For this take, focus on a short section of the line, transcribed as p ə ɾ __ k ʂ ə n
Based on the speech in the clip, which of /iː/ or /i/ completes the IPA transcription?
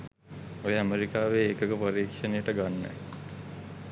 iː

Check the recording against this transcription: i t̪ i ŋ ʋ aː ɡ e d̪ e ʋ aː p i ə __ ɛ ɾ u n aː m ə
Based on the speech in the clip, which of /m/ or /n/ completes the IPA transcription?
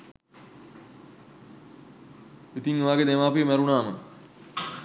m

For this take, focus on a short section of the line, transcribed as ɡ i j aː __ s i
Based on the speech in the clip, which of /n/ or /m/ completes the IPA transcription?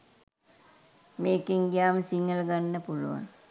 m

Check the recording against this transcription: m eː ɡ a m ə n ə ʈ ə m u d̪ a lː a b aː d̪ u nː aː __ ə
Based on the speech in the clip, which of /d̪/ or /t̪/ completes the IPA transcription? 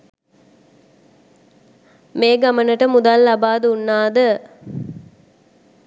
d̪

